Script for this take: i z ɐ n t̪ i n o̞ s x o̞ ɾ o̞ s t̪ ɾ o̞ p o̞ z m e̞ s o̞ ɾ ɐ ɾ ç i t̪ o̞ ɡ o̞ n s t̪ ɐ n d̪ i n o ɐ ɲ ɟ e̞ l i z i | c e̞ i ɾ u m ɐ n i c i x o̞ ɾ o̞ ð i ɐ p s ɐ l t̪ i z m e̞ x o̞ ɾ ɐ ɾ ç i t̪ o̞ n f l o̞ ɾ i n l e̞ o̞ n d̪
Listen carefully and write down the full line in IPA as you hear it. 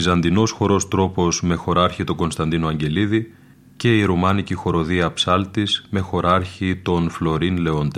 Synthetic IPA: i z ɐ n d̪ i n o̞ s x o̞ ɾ o̞ s t̪ ɾ o̞ p o̞ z m e̞ x o̞ ɾ ɐ ɾ ç i t̪ o̞ ɡ o̞ n s t̪ ɐ n d̪ i n o ɐ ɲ ɟ e̞ l i ð i | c e̞ i ɾ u m ɐ n i c i x o̞ ɾ o̞ ð i ɐ p s ɐ l t̪ i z m e̞ x o̞ ɾ ɐ ɾ ç i t̪ o̞ n f l o̞ ɾ i n l e̞ o̞ n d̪